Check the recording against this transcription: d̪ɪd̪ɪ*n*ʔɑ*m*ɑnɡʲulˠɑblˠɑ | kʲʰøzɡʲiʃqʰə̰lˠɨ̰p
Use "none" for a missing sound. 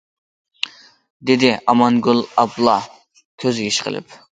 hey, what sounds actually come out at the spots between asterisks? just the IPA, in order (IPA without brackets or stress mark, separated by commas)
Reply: none, m